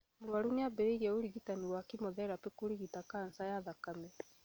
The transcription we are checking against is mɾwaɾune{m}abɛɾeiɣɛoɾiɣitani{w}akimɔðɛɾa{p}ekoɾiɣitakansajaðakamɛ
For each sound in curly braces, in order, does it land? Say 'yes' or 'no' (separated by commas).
no, yes, yes